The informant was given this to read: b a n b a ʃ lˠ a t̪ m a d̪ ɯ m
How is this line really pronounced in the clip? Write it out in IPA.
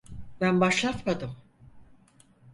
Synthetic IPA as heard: b æ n b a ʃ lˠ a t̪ m a d̪ ɯ m